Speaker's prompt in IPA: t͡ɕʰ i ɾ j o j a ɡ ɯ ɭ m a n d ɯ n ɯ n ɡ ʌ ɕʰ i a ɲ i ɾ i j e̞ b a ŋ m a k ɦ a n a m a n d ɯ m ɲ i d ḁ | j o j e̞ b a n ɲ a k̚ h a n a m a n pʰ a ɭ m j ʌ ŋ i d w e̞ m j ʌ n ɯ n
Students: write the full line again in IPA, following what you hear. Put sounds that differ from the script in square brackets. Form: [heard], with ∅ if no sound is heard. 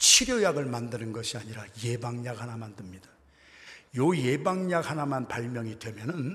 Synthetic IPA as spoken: t͡ɕʰ i ɾ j o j a ɡ ɯ ɭ m a n d ɯ n ɯ n ɡ ʌ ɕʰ i a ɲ i ɾ [a] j e̞ b a ŋ [ɲ] a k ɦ a n a m a n d ɯ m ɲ i d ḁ | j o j e̞ b a [ŋ] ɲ a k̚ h a n a m a n [p] a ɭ m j ʌ ŋ i d w e̞ m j ʌ n ɯ n